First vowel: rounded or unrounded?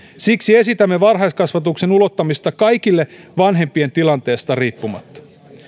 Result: unrounded